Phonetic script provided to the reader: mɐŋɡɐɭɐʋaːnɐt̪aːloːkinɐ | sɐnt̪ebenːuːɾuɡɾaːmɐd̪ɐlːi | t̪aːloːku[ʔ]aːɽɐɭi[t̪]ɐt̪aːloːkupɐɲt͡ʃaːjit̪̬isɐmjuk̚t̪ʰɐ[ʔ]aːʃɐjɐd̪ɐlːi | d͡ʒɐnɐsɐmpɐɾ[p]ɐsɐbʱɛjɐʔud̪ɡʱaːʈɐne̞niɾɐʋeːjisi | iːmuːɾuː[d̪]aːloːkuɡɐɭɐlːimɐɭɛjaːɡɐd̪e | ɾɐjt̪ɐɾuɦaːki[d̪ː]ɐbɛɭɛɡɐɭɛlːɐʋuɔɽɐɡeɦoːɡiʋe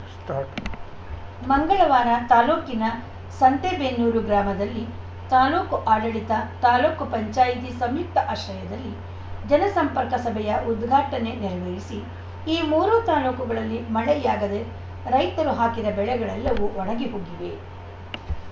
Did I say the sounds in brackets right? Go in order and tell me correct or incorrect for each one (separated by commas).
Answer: correct, correct, correct, incorrect, incorrect, incorrect